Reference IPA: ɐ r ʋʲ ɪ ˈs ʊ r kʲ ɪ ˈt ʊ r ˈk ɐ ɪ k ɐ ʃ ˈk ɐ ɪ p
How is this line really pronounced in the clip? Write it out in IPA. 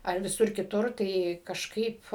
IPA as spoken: ɐ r ʋʲ ɪ ˈs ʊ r kʲ ɪ ˈt ʊ r ˈt ɐ ɪ k ɐ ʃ ˈk ɐ ɪ p

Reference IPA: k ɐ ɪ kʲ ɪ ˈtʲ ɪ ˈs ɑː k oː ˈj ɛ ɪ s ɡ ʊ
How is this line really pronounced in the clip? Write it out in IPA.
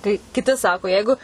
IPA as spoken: k ɐ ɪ kʲ ɪ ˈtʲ ɪ ˈs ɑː k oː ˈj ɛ ɪ ɡ ʊ

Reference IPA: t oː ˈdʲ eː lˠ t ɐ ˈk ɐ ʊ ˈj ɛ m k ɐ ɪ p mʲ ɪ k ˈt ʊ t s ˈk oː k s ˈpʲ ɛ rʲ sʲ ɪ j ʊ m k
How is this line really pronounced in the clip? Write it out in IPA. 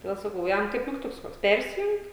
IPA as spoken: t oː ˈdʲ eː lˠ s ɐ ˈk ɐ ʊ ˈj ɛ m k ɐ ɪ p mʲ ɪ k ˈt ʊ k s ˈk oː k s ˈpʲ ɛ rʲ sʲ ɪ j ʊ ŋ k

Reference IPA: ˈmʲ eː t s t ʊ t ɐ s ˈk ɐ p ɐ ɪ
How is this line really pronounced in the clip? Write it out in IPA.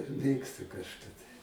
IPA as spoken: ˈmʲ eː k s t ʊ k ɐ ʃ ˈk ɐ t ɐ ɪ

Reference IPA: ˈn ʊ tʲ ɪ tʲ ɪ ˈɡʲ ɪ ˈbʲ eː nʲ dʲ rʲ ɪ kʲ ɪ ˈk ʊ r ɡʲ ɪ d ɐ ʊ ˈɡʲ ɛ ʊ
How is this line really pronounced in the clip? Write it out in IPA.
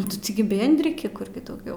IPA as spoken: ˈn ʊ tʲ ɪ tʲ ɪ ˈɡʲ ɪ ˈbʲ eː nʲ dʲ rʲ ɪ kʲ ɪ ˈk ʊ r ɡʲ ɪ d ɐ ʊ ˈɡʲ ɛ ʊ

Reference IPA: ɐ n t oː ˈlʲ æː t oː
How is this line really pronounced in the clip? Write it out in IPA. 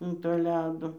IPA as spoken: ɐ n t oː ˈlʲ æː d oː

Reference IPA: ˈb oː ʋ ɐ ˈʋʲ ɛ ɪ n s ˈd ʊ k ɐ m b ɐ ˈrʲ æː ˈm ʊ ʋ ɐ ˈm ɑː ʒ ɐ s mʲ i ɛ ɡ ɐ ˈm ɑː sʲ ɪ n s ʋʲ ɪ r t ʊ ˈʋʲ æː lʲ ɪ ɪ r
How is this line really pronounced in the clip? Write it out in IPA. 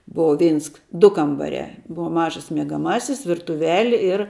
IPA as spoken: ˈb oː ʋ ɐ ˈʋʲ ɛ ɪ n s ˈd ʊ k ɐ m b ɐ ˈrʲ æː ˈb ʊ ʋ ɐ ˈm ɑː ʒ ɐ s mʲ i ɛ ɡ ɐ ˈm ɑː sʲ ɪ s ʋʲ ɪ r t ʊ ˈʋʲ æː lʲ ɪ ɪ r

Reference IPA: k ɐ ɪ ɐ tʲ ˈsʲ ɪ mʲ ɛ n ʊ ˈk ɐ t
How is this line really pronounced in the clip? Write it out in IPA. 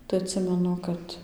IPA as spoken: t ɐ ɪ ɐ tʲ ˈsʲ ɪ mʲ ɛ n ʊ ˈk ɐ t

